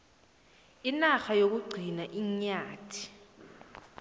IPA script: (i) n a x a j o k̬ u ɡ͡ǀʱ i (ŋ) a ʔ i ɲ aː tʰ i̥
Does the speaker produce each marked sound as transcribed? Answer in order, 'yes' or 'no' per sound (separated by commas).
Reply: yes, no